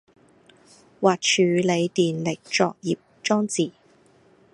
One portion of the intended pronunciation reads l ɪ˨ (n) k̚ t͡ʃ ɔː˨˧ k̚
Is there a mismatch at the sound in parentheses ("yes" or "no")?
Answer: yes